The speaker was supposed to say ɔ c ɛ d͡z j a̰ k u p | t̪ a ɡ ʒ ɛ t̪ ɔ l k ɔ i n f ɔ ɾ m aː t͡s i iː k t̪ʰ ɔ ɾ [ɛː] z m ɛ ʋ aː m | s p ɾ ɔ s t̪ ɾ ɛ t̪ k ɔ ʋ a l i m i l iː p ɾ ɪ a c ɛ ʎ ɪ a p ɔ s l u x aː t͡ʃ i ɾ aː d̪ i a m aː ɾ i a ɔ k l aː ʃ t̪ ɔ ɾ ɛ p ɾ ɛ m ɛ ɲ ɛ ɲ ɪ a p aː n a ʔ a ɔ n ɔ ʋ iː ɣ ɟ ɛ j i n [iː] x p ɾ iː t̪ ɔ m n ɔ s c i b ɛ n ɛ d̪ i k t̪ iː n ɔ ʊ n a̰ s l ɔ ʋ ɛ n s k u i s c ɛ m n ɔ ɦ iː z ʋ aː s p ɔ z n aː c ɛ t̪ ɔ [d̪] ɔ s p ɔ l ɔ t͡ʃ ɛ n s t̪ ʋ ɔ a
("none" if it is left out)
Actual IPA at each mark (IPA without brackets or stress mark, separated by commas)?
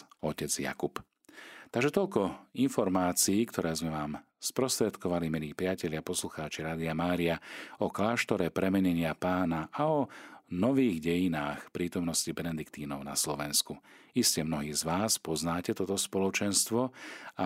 ɛː, aː, t̪